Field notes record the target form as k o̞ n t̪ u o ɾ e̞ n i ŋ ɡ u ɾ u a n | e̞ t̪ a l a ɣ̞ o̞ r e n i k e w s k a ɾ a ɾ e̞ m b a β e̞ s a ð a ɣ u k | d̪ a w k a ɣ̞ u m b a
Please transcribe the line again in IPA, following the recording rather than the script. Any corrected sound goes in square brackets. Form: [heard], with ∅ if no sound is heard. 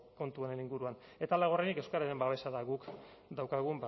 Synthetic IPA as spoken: k o̞ n t̪ u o ɾ e̞ n i ŋ ɡ u ɾ u a n | e̞ t̪ a l a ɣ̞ o̞ r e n i k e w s k a ɾ a ɾ e̞ m b a β e̞ s a ð a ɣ u k | d̪ a w k a ɣ̞ u m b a